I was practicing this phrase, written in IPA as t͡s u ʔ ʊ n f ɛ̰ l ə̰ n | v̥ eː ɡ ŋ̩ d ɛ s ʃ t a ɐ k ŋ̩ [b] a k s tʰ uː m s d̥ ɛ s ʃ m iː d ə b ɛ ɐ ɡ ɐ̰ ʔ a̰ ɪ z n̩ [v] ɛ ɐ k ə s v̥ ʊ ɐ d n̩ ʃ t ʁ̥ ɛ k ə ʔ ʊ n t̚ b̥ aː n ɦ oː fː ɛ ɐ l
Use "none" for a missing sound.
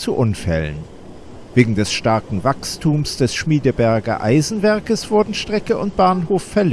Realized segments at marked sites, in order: v, v

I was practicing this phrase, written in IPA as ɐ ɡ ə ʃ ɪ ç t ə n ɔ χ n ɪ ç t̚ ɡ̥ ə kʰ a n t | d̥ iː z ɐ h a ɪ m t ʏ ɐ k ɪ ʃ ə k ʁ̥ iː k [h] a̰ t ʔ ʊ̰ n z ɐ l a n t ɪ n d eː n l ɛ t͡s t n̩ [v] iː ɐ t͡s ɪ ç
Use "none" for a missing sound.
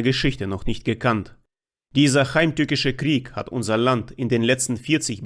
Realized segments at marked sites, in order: h, f

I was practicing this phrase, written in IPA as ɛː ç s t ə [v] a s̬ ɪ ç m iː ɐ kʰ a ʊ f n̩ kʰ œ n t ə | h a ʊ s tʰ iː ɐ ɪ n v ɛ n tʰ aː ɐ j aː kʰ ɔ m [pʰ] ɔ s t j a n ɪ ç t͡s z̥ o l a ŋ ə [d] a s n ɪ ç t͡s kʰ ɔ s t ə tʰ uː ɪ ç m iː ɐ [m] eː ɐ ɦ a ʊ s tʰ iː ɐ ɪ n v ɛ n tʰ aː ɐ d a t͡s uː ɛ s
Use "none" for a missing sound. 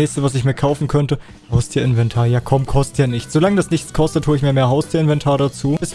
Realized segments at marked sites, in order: v, kʰ, d, m

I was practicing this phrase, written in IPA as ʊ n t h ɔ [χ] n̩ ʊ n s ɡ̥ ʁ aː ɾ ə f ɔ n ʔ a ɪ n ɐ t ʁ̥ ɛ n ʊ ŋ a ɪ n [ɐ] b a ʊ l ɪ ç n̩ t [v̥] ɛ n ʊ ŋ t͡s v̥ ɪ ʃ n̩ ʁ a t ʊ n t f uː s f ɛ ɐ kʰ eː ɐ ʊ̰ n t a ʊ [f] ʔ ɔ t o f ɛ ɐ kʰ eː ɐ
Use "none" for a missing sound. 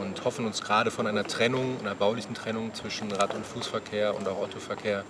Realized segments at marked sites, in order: f, ɐ, ʁ̥, x

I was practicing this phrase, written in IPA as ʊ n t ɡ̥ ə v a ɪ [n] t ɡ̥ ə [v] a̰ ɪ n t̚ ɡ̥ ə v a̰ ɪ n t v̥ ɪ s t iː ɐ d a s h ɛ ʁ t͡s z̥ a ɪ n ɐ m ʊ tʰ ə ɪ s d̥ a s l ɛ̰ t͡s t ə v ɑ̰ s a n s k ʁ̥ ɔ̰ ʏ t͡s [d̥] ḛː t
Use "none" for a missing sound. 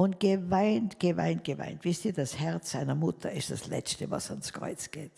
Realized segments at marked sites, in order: n, v, ɡ̥

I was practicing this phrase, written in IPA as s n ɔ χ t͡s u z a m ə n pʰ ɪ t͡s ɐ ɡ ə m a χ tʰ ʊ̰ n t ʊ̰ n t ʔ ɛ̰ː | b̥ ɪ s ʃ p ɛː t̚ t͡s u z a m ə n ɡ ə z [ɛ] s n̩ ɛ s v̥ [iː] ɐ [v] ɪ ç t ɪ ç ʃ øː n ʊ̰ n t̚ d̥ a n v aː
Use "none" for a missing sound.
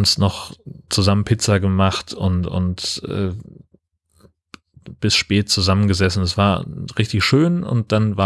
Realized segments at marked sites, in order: ɛ, aː, ʁ

